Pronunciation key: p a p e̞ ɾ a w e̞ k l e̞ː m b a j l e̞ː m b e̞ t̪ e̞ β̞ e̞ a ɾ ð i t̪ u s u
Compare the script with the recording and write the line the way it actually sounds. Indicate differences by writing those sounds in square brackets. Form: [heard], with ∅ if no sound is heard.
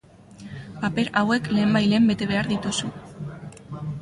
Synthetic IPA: p a p e̞ ɾ a w e̞ k l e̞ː m b a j l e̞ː m b e̞ t̪ e̞ β̞ e̞ a ɾ ð i t̪ u s u

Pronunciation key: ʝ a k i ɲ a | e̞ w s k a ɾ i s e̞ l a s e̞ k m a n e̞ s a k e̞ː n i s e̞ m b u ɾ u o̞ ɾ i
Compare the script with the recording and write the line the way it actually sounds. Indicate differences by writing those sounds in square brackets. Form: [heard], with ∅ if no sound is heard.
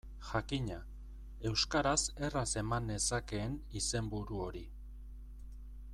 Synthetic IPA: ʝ a k i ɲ a | e̞ w s k a ɾ [a] s e̞ [r] a s e̞ [∅] m a n e̞ s a k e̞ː n i s e̞ m b u ɾ u o̞ ɾ i

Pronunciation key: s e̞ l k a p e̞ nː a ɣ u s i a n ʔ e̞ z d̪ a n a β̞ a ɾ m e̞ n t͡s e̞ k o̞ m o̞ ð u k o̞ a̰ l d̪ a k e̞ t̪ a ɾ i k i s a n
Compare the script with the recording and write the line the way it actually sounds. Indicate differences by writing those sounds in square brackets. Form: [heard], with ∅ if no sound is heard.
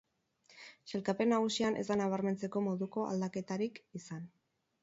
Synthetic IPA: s e̞ l k a p e̞ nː a ɣ u s i a n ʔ e̞ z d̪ a n a β̞ a ɾ m e̞ n t͡s e̞ k o̞ m o̞ ð u k o̞ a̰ l d̪ a k e̞ t̪ a ɾ i k i s a n

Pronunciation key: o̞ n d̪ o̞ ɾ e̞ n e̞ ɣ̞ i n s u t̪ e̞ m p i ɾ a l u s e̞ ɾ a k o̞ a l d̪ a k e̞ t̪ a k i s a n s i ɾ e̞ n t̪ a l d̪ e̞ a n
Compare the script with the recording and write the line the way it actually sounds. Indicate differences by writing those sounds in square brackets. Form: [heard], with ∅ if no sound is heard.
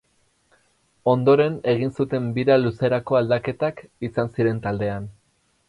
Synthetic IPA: o̞ n d̪ o̞ ɾ e̞ n e̞ ɣ̞ i n s u t̪ e̞ m [b] i ɾ a l u s e̞ ɾ a k o̞ a l d̪ a k e̞ t̪ a k i s a n s i ɾ e̞ n t̪ a l d̪ e̞ a n

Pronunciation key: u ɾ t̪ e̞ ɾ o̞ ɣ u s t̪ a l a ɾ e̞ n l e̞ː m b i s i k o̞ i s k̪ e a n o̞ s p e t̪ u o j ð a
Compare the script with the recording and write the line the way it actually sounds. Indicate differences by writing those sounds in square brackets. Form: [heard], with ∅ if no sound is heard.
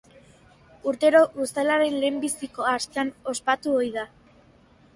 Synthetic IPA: u ɾ t̪ e̞ ɾ o̞ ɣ u s t̪ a l a ɾ e̞ n l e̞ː m b i s i k o̞ [a] s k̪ e a n o̞ s p [a] t̪ u o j ð a

